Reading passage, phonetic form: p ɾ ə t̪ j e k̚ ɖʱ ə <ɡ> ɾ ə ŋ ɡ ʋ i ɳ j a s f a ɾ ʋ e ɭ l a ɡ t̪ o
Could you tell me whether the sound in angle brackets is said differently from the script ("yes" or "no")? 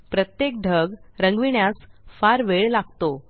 no